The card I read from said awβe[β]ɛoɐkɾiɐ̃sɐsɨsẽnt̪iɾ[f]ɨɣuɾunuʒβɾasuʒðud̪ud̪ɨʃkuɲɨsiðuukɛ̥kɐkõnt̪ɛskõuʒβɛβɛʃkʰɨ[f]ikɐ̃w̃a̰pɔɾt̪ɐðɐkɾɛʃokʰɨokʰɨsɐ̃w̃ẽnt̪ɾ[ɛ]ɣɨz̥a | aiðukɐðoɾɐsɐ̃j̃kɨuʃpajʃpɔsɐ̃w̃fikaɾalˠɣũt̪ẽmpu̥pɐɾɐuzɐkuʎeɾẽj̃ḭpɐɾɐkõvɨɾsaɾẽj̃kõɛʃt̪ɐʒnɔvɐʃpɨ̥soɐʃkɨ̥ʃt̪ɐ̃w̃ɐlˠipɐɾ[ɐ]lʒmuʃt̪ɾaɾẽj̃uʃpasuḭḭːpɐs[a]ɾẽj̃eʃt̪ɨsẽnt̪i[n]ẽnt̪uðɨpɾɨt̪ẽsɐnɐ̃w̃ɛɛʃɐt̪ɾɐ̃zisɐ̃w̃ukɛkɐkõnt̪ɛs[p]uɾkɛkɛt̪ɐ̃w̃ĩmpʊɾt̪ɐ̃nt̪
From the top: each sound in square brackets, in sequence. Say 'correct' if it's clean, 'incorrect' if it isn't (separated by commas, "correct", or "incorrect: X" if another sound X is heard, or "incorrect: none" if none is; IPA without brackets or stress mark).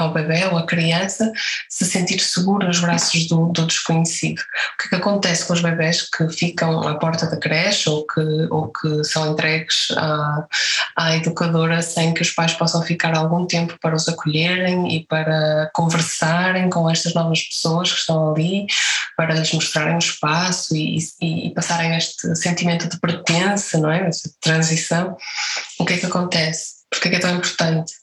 correct, incorrect: s, correct, correct, correct, correct, incorrect: m, correct